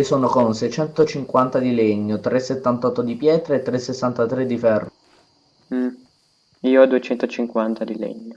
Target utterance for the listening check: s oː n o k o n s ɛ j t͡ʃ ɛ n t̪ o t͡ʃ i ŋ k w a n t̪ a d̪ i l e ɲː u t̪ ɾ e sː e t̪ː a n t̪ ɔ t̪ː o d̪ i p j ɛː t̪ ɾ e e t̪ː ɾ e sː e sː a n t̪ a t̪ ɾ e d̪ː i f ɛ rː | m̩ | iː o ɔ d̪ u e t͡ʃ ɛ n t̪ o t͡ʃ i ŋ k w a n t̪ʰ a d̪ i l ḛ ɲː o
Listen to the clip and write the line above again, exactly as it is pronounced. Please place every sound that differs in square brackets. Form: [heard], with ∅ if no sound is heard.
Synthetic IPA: s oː n o k o n s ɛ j t͡ʃ ɛ n t̪ o t͡ʃ i ŋ k w a n t̪ a d̪ i l e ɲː [o] t̪ ɾ e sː e t̪ː a n t̪ ɔ t̪ː o d̪ i p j ɛː t̪ ɾ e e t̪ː ɾ e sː e sː a n t̪ a t̪ ɾ e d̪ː i f ɛ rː | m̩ | iː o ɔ d̪ u e t͡ʃ ɛ n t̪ o t͡ʃ i ŋ k w a n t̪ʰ a d̪ i l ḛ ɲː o